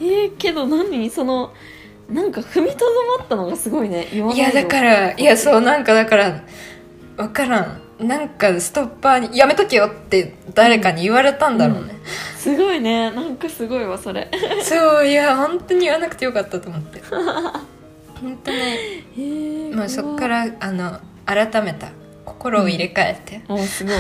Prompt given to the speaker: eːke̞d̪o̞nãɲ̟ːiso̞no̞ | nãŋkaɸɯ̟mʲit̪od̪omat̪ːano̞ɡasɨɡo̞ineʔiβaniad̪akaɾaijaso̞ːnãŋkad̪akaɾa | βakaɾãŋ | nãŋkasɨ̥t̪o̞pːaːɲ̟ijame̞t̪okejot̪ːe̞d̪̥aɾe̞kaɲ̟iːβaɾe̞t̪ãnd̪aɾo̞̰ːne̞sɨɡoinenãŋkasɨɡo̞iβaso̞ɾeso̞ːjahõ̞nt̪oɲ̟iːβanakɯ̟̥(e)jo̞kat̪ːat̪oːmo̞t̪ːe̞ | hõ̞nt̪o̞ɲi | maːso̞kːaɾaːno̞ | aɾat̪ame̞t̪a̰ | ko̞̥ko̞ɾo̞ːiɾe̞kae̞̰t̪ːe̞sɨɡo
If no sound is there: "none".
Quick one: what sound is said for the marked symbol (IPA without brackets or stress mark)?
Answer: e